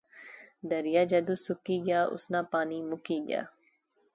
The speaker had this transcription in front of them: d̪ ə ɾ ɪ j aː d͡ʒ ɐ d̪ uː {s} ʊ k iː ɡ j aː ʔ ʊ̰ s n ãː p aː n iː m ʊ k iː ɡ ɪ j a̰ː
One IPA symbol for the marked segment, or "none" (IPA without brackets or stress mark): s